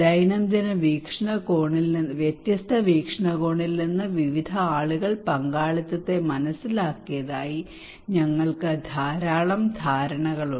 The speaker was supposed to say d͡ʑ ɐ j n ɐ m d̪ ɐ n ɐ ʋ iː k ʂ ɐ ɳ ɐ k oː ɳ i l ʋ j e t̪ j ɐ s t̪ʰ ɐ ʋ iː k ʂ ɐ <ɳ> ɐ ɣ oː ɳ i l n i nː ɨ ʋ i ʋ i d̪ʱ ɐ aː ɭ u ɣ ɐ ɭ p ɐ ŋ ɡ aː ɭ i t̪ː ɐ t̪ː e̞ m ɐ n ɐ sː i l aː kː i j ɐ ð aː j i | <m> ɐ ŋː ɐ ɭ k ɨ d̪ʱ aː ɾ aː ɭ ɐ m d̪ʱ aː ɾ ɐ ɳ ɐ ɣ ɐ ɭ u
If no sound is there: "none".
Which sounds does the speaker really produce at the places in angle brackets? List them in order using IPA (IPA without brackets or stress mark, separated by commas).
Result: ɳ, ɲ